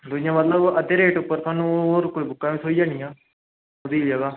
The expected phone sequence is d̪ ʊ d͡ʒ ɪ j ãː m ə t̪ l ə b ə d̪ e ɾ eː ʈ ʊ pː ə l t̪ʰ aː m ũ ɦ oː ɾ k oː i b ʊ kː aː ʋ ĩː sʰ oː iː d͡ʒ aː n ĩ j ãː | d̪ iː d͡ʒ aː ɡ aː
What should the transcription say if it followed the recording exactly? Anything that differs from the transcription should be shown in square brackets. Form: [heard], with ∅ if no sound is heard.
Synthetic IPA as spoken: d̪ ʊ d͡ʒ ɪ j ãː m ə t̪ l ə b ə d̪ e ɾ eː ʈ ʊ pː ə [ɾ] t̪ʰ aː [n] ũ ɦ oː ɾ k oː i b ʊ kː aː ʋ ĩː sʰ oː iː d͡ʒ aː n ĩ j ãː | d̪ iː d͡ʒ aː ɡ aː